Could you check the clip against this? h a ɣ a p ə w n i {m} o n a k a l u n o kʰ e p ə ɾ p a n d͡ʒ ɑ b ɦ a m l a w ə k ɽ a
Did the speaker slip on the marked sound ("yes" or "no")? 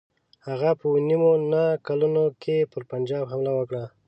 no